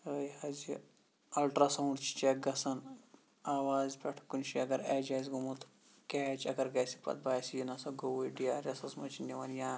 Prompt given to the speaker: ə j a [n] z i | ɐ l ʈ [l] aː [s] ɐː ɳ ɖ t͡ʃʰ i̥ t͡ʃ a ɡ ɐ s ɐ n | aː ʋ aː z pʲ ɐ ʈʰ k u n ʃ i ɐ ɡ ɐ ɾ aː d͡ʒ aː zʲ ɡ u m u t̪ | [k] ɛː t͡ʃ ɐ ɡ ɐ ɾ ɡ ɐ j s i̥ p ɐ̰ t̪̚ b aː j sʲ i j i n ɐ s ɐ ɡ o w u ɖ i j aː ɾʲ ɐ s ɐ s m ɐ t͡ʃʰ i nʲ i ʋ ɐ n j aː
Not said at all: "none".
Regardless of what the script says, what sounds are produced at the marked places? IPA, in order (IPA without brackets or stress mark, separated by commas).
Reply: none, ɾ, s, k